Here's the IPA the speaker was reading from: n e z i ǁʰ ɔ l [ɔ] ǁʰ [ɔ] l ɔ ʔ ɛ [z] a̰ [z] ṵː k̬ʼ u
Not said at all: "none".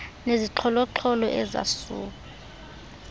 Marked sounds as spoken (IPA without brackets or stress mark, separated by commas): ɔ, ɔ, z, s